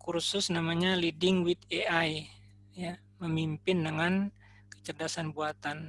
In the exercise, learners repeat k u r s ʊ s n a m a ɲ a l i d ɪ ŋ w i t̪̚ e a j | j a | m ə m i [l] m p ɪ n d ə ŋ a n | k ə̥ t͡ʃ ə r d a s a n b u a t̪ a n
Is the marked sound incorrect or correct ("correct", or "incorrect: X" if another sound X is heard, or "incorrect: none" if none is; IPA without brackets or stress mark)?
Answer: incorrect: none